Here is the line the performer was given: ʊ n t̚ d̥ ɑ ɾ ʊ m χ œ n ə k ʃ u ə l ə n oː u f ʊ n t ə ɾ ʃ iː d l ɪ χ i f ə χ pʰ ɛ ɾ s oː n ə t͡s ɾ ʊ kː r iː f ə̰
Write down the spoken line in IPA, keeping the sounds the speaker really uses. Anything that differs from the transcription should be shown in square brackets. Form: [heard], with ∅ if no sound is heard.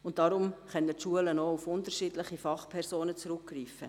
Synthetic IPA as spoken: ʊ n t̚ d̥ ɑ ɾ ʊ m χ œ n ə [t] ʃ u ə l ə n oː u f ʊ n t ə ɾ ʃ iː d l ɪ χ i f [ɑ] χ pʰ ɛ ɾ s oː n ə t͡s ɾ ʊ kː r iː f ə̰